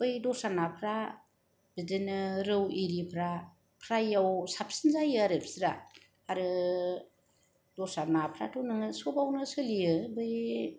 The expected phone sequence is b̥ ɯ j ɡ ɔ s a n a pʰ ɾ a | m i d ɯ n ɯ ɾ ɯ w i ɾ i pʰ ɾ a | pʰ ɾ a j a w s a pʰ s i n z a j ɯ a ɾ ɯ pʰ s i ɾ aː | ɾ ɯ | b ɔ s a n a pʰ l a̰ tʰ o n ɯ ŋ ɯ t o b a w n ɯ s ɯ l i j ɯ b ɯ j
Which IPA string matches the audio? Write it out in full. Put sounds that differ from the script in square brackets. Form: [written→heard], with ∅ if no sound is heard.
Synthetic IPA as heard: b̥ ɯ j [ɡ→d] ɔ s a n a pʰ ɾ a | [m→b] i d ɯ n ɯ ɾ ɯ w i ɾ i pʰ ɾ a | pʰ ɾ a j a w s a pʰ s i n z a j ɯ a ɾ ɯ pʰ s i ɾ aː | ɾ ɯ | [b→d] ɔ s a n a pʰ [l→ɾ] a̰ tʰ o n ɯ ŋ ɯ [t→s] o b a w n ɯ s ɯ l i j ɯ b ɯ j